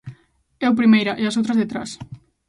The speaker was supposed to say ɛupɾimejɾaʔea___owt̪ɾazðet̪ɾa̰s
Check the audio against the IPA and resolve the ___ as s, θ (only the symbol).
s